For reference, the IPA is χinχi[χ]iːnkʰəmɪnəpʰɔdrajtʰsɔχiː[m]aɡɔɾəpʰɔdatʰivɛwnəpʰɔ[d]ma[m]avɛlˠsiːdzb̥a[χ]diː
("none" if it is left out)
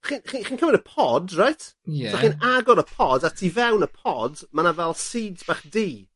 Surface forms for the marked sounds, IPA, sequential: χ, n, d, n, χ

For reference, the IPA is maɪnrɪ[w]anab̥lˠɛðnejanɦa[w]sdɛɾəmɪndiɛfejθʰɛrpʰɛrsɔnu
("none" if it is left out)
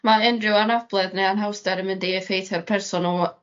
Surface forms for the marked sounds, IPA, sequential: w, w

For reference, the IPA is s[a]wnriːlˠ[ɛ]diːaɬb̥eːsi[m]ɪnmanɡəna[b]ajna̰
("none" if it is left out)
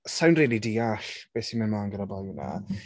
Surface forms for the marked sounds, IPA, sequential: a, i, m, b

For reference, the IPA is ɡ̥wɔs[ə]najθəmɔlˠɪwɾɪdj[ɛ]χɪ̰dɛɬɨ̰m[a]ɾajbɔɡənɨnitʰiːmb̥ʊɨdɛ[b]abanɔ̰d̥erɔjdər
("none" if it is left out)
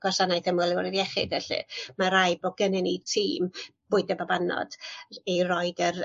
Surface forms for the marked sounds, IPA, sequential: a, ɛ, a, b

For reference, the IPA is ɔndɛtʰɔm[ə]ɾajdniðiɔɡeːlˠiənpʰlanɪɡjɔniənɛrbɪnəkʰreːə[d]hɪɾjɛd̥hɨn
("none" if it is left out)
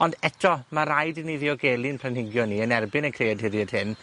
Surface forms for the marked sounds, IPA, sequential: a, d

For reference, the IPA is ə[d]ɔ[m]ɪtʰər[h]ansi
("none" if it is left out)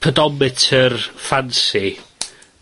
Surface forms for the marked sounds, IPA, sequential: d, m, f

